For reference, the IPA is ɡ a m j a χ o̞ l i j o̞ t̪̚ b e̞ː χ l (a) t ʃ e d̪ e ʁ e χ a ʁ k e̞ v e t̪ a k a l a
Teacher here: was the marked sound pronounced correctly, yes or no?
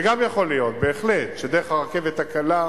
no